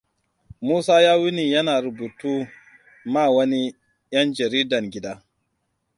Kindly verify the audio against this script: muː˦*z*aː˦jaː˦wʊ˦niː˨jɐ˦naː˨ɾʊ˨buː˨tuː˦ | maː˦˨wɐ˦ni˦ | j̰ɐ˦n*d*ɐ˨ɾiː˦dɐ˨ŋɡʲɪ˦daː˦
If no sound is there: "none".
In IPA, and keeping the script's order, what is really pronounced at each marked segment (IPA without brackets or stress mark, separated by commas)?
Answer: s, d͡ʒ